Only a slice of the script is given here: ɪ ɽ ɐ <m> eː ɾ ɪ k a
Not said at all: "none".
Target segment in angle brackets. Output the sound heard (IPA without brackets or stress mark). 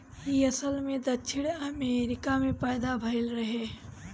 m